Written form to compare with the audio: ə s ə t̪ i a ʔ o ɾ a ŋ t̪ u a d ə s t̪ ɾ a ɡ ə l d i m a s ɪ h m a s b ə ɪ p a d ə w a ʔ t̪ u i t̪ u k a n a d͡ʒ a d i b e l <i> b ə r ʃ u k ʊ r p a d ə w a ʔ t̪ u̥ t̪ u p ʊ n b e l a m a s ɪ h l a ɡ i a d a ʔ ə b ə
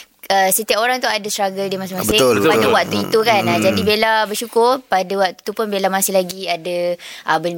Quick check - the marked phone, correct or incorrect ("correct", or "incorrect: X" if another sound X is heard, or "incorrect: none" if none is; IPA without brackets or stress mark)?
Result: incorrect: a